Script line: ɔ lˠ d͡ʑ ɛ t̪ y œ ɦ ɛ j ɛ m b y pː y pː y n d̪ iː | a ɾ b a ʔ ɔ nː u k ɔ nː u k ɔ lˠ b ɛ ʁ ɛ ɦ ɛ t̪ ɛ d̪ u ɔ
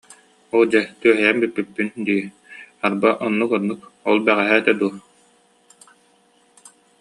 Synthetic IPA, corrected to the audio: ɔ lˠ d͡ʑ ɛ t̪ y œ ɦ ɛ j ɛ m b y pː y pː y n d̪ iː | a ɾ b a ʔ ɔ nː u k ɔ nː u k ɔ lˠ b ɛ ʁ ɛ ɦ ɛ t̪ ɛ d̪ u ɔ